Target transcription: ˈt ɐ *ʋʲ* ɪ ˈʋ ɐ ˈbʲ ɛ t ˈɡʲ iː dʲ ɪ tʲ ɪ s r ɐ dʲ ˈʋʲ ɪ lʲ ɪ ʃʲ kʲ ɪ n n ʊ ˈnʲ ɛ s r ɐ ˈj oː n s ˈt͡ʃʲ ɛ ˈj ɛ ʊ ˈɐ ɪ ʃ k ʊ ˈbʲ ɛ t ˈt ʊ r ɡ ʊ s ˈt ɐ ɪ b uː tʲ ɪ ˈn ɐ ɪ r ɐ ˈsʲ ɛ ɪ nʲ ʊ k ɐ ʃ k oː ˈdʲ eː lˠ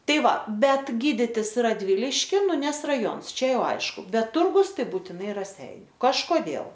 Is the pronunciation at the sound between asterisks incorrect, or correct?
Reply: incorrect